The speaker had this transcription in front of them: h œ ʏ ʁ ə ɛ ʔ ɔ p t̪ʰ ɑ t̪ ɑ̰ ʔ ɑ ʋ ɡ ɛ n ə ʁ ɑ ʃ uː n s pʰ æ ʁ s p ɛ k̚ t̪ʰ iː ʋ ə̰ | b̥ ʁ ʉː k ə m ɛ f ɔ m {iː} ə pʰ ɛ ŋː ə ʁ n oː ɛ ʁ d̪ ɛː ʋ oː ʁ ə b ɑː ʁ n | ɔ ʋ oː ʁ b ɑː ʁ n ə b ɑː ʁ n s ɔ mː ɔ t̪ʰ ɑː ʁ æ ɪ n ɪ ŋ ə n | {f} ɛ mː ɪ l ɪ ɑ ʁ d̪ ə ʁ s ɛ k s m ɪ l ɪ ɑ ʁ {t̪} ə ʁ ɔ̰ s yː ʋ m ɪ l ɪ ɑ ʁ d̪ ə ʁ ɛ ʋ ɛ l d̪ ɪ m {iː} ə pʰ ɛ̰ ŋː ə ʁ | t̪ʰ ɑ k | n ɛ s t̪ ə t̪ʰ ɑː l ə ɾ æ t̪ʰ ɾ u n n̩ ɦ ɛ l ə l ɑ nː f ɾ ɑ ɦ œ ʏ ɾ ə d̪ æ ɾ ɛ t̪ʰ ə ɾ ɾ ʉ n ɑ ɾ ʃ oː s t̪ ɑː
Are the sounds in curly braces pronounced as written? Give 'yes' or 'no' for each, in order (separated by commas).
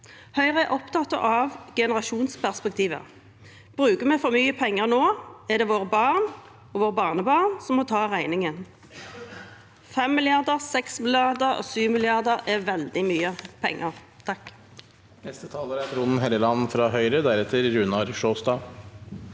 no, yes, no, no